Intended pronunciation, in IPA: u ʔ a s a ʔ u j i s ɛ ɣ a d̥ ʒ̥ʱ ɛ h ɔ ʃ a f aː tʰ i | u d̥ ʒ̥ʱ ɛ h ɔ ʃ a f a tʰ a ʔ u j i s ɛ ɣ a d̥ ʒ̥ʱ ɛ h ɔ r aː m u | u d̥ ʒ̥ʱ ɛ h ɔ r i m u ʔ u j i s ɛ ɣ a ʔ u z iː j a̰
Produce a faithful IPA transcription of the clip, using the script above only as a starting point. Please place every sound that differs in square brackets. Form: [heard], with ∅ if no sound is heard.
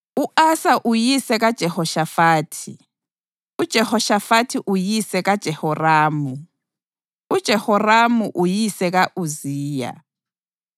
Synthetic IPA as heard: u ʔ a s a ʔ u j i s ɛ ɣ a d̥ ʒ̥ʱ ɛ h ɔ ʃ a f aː tʰ i | u d̥ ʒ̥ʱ ɛ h ɔ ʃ a f a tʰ [i] ʔ u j i s ɛ ɣ a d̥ ʒ̥ʱ ɛ h ɔ r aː m u | u d̥ ʒ̥ʱ ɛ h ɔ r [a] m u ʔ u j i s ɛ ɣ a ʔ u z iː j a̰